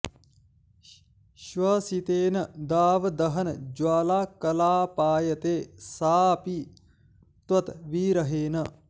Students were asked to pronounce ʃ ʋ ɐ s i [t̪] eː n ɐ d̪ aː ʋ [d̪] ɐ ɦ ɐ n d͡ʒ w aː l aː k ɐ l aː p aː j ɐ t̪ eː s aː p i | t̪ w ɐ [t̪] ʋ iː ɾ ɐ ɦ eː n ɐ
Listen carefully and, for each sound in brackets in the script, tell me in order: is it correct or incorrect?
correct, correct, correct

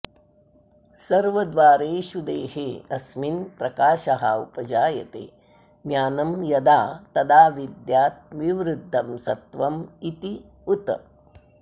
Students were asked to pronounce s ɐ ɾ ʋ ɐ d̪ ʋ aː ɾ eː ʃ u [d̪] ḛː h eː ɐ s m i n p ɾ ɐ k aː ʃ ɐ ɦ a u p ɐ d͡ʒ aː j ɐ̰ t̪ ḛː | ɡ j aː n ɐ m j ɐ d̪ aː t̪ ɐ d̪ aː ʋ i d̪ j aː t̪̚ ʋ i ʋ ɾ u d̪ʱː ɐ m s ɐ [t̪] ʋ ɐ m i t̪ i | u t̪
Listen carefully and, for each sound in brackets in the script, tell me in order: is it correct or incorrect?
correct, correct

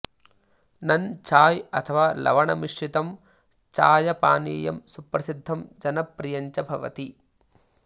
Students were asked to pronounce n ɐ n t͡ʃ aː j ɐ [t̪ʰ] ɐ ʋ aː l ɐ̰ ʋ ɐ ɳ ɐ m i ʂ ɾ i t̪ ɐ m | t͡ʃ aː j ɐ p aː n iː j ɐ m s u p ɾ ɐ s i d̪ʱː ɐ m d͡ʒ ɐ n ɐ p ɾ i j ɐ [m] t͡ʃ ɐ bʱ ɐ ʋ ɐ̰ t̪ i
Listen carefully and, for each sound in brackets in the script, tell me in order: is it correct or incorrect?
correct, incorrect: ɲ

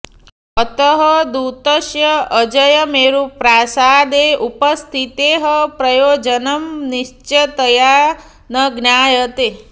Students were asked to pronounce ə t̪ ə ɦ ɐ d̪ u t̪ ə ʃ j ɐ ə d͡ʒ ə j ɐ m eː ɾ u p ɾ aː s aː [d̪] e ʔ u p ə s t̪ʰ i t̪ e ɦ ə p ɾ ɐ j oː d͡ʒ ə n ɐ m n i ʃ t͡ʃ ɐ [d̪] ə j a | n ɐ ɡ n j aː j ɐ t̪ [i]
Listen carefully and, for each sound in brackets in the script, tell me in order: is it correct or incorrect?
correct, incorrect: t̪, incorrect: e

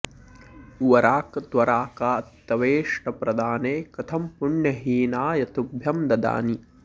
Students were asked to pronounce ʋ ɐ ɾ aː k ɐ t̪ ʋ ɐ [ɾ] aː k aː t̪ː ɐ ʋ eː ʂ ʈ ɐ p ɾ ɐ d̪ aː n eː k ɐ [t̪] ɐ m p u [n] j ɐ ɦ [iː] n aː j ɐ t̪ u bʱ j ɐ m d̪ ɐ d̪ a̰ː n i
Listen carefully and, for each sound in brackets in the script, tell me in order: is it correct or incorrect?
correct, incorrect: t̪ʰ, incorrect: ɳ, correct

